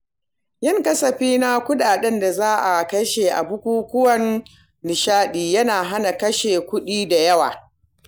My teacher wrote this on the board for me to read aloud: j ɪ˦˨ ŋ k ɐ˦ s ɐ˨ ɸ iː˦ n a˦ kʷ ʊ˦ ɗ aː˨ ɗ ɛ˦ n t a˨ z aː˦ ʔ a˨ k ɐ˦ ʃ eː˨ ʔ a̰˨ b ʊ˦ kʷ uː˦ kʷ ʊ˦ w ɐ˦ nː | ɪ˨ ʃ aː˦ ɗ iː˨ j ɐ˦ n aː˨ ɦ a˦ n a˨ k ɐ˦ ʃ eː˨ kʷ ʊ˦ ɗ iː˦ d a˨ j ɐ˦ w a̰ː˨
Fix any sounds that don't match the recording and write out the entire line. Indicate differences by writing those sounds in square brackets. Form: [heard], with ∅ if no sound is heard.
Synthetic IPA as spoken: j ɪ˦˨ ŋ k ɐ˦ s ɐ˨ ɸ iː˦ n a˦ kʷ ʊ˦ ɗ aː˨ ɗ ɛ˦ n [d] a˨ z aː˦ ʔ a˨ k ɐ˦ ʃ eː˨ ʔ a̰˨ b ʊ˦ kʷ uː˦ kʷ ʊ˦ w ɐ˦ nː | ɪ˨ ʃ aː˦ ɗ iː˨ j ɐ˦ n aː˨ ɦ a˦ n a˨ k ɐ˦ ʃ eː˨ kʷ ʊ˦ ɗ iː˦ d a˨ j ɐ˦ w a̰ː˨